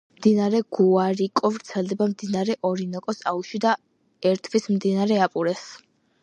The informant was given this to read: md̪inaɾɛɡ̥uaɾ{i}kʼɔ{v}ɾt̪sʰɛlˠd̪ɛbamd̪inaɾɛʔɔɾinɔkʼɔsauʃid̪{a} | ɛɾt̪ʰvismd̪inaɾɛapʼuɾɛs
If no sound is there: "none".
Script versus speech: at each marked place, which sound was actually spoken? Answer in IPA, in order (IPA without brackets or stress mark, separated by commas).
i, v, a